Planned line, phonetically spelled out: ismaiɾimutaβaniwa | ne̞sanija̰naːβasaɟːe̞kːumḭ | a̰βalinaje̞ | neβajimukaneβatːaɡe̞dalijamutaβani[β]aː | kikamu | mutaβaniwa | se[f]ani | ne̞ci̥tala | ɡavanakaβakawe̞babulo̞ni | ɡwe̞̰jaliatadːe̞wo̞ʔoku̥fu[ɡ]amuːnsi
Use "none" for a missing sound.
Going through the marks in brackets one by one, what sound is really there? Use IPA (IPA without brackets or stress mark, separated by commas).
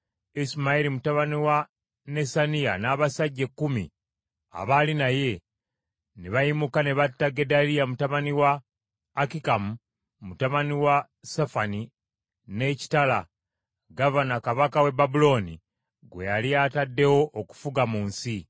w, f, ɡ